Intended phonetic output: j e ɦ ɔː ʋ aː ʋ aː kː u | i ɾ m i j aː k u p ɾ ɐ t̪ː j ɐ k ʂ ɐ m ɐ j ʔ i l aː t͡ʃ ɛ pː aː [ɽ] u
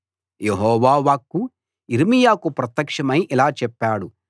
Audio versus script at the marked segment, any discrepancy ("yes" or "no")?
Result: no